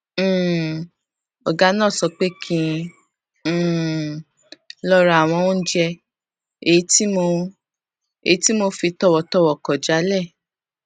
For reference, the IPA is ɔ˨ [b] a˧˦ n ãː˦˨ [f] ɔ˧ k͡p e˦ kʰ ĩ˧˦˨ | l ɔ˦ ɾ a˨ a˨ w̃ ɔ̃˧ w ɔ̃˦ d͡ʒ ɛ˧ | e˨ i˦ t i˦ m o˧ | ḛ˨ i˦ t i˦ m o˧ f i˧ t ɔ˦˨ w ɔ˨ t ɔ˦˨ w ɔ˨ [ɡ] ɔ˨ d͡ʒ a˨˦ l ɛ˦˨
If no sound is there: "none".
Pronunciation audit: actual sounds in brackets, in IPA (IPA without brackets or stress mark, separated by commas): ɡ, s, k